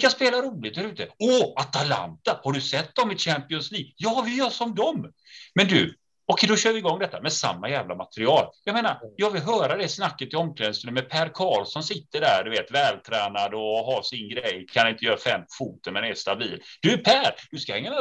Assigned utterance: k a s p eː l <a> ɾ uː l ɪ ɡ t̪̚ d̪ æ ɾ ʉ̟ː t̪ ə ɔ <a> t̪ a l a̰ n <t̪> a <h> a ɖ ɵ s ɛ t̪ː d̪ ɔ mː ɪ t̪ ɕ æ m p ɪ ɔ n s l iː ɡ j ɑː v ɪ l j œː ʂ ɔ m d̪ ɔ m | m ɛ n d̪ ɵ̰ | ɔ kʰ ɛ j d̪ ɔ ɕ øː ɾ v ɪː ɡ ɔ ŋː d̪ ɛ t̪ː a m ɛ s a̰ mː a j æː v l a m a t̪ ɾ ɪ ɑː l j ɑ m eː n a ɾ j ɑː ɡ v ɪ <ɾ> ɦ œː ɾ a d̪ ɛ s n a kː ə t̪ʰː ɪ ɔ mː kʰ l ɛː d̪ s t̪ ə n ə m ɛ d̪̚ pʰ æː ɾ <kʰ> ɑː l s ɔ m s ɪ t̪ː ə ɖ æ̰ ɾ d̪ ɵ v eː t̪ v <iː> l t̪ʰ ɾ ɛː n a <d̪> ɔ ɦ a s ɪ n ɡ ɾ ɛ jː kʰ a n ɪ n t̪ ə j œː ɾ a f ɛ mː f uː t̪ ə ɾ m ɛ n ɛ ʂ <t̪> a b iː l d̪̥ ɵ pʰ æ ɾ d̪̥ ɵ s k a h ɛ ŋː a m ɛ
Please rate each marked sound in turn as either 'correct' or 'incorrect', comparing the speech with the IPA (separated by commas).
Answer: correct, correct, correct, correct, incorrect, correct, incorrect, correct, correct